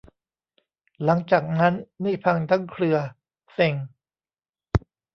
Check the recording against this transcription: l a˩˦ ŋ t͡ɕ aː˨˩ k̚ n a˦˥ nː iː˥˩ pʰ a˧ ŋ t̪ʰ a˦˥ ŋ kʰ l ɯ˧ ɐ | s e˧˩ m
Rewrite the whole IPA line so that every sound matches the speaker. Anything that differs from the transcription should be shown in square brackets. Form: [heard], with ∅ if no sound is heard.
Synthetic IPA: l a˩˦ ŋ t͡ɕ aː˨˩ k̚ n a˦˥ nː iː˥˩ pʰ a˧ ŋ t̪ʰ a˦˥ ŋ kʰ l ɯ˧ ɐ | s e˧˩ [ŋ]